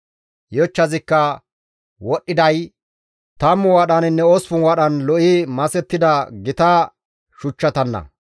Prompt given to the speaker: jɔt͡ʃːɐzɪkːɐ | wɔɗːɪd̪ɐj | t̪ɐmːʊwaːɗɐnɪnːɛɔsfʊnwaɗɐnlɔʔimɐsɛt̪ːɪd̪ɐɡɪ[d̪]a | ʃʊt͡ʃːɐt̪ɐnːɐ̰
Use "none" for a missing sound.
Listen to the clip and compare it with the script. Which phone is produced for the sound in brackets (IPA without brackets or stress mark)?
t̪